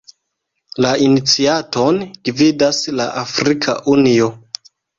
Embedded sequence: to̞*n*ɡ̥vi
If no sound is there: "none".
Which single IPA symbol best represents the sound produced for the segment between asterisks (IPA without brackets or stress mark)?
n